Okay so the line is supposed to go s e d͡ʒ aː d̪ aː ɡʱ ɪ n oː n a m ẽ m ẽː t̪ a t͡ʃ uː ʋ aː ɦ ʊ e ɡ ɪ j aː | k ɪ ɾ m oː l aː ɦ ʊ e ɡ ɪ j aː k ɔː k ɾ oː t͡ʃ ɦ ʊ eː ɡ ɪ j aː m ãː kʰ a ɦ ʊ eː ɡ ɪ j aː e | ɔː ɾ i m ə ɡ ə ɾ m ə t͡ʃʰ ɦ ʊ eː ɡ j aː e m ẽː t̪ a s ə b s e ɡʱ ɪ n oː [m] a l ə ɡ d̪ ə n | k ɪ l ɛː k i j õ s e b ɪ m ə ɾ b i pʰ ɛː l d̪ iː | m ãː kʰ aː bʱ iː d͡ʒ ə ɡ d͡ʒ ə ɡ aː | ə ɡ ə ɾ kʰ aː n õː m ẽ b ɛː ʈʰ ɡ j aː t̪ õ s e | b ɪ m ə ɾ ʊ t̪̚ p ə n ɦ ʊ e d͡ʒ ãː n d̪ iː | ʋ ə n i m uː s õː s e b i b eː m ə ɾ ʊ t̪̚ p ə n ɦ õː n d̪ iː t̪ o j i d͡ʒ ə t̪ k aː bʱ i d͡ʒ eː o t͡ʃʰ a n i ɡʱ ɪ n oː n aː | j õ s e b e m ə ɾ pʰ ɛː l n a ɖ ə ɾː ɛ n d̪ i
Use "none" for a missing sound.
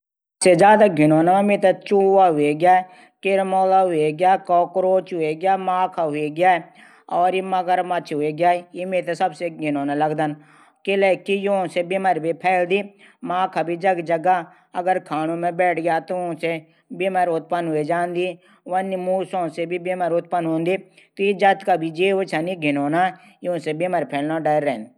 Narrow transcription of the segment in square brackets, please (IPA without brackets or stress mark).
n